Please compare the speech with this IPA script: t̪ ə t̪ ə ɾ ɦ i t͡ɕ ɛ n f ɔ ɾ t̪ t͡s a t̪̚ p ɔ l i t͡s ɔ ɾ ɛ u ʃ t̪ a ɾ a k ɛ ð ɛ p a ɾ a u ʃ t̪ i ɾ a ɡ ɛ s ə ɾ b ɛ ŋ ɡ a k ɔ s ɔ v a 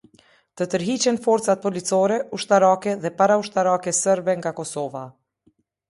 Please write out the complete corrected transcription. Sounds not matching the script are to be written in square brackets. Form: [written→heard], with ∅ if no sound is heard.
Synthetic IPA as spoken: t̪ ə t̪ ə ɾ ɦ i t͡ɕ ɛ n f ɔ ɾ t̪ t͡s a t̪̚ p ɔ l i t͡s ɔ ɾ ɛ u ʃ t̪ a ɾ a k ɛ ð ɛ p a ɾ a u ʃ t̪ [i→a] ɾ a [ɡ→k] ɛ s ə ɾ b ɛ ŋ ɡ a k ɔ s ɔ v a